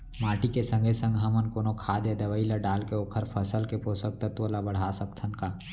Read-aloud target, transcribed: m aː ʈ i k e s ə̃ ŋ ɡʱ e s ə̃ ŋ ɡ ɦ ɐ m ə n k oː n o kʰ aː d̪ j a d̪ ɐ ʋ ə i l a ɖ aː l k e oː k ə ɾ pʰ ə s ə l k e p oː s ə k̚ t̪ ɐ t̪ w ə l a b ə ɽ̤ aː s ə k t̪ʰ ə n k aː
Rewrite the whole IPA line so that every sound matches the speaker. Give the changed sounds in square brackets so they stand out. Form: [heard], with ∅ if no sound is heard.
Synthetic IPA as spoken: m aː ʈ i k e s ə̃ ŋ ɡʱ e s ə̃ ŋ ɡ ɦ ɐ m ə n k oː n o kʰ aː d̪ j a d̪ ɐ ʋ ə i l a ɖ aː l k e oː [kʰ] ə ɾ pʰ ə s ə l k e p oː s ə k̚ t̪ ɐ t̪ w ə l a b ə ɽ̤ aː s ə k t̪ʰ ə n k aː